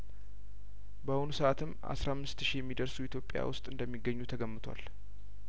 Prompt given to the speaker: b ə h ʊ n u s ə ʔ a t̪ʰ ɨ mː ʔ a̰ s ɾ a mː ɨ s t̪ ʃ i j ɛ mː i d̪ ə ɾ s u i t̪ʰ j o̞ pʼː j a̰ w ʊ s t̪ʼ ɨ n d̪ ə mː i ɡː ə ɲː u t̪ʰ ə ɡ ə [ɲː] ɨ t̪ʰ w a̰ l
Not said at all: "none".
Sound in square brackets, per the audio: mː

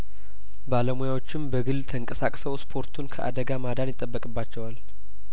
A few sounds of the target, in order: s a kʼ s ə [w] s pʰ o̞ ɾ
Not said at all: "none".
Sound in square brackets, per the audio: w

